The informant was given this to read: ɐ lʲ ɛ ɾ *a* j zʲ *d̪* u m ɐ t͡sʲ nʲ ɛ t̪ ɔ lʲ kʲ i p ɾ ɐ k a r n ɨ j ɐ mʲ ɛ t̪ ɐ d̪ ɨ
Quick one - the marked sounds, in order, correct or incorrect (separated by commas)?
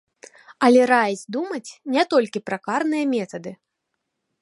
correct, correct